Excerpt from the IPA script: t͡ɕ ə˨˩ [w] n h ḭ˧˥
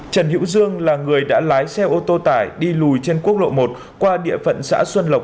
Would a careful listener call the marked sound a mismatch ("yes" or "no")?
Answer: yes